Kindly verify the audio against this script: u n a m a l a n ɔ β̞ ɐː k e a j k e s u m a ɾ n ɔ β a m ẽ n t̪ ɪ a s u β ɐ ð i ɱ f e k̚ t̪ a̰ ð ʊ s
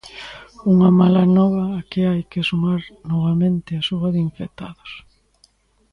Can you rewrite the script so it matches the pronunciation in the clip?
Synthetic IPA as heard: u ŋ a m a l a n ɔ β̞ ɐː k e a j k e s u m a ɾ n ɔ β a m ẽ n t̪ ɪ a s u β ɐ ð i ɱ f e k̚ t̪ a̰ ð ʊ s